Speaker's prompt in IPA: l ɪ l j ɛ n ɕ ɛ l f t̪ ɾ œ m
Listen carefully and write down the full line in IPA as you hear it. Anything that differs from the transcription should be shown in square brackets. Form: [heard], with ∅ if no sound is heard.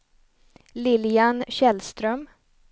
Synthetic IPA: l ɪ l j [a] n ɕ ɛ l [s] t̪ ɾ œ m